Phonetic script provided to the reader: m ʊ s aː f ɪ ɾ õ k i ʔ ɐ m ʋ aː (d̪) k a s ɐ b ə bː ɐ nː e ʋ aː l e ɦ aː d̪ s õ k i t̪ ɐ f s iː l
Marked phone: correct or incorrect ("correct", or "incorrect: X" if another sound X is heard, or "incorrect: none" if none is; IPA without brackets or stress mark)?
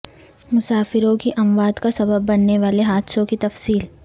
correct